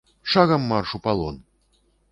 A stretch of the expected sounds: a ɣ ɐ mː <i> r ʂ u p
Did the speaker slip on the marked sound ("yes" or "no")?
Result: yes